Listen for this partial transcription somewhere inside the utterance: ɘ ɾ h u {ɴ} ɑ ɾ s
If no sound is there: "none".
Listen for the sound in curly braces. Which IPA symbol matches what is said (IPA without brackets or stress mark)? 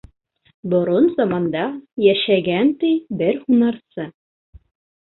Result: n